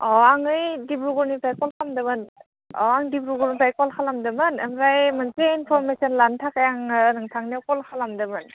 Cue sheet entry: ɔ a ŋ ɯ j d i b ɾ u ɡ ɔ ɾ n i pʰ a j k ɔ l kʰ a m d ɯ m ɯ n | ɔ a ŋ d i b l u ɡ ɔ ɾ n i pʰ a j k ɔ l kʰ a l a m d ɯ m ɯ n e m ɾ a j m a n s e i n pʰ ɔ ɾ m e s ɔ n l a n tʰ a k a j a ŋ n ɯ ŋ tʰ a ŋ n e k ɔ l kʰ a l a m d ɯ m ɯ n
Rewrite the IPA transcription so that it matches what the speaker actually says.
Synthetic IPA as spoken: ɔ a ŋ ɯ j d i b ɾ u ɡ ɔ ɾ n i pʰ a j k ɔ l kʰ a m d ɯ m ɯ n | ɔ a ŋ d i b ɾ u ɡ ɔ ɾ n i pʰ a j k ɔ l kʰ a l a m d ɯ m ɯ n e m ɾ a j m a n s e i n pʰ ɔ ɾ m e s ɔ n l a n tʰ a k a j a ŋ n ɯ ŋ tʰ a ŋ n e k ɔ l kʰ a l a m d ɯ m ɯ n